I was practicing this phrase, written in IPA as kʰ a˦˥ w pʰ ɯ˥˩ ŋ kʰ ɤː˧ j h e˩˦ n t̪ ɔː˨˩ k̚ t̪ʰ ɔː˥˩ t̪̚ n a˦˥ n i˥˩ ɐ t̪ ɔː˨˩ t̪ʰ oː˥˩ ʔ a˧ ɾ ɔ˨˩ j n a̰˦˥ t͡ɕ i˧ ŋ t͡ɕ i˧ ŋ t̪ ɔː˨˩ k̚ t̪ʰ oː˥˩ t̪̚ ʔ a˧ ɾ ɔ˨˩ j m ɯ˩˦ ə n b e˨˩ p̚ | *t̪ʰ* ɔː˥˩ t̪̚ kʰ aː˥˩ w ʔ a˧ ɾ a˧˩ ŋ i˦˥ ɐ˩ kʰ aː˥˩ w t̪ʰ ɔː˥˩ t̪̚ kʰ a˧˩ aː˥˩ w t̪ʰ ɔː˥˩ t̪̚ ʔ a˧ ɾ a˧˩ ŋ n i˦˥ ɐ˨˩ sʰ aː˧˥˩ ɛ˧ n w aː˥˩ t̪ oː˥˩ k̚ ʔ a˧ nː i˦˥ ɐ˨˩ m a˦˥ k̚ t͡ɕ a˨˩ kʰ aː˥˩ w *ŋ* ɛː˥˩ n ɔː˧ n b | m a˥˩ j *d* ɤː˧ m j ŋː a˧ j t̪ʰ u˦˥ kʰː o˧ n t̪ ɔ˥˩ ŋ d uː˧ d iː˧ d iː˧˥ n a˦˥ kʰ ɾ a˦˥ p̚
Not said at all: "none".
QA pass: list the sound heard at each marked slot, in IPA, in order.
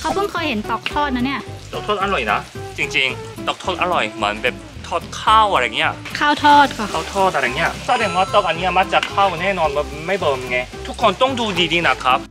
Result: t̪ʰ, n, b

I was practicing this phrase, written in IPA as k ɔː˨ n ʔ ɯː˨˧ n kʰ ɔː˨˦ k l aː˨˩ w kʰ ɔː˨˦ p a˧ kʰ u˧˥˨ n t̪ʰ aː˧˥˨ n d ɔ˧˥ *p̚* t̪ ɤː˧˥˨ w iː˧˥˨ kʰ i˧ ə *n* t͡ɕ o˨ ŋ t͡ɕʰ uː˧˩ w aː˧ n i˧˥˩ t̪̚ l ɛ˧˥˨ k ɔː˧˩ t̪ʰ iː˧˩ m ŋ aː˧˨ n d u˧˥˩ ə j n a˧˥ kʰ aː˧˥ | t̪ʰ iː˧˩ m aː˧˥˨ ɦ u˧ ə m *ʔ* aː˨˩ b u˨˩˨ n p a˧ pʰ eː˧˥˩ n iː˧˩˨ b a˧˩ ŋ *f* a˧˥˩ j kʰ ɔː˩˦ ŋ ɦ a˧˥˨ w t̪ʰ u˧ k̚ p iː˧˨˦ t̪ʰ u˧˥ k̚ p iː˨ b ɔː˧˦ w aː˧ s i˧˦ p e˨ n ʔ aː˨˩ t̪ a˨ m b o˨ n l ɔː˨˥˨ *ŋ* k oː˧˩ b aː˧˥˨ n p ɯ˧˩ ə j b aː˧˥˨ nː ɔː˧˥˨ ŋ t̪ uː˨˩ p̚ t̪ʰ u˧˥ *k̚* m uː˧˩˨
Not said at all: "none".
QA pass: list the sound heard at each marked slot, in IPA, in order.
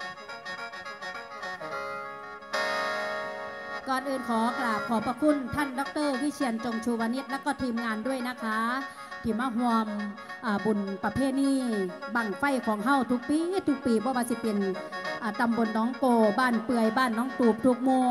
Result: k̚, n, ʔ, f, ŋ, k̚

